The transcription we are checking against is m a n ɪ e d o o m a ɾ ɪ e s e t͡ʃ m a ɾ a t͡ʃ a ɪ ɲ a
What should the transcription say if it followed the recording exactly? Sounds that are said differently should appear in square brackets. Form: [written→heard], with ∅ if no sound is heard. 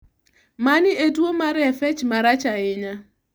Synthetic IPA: m a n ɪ e d [o→u] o m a ɾ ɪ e [s→f] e t͡ʃ m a ɾ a t͡ʃ a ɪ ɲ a